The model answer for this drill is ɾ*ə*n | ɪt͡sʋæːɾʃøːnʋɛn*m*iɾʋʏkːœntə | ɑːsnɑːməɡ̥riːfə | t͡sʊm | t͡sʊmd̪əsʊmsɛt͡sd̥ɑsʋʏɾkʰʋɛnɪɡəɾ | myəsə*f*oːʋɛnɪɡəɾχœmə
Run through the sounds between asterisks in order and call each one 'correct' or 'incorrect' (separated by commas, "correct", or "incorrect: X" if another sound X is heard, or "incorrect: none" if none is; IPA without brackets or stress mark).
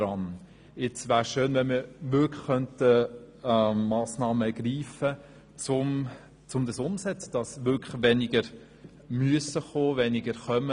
incorrect: ɑ, correct, incorrect: χ